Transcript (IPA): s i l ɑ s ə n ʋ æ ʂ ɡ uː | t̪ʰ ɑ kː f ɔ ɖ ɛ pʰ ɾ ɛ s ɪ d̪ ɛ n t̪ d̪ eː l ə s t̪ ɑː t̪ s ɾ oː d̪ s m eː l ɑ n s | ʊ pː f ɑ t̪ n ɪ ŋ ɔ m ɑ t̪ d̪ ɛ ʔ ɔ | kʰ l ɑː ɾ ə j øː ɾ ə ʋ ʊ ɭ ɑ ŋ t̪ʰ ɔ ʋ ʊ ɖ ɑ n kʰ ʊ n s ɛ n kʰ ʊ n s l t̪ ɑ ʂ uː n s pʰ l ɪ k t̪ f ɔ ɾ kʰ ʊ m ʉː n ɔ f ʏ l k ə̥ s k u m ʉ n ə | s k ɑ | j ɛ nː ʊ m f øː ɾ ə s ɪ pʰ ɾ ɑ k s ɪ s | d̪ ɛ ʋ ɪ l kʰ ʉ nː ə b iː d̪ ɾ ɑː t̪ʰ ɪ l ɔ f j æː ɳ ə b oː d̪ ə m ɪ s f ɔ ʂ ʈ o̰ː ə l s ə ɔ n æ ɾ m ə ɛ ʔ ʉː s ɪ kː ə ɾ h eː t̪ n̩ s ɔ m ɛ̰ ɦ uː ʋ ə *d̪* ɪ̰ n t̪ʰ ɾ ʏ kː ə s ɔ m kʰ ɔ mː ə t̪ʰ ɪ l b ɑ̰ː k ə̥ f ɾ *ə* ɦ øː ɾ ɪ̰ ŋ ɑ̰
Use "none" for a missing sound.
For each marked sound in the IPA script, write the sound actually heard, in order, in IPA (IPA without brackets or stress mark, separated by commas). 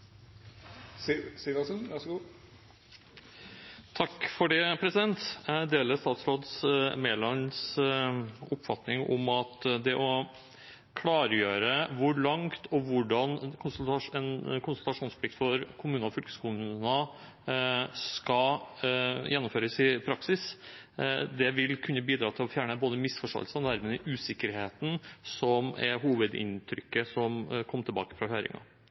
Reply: d̪, ɑ